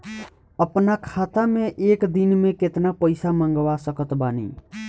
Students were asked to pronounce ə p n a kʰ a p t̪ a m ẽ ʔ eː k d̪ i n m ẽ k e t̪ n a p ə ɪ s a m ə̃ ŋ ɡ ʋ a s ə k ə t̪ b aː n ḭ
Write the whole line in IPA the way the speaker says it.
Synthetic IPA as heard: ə p n a kʰ a t̪ a m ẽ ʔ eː k d̪ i n m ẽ k e t̪ n a p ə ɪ s a m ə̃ ŋ ɡ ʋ a s ə k ə t̪ b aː n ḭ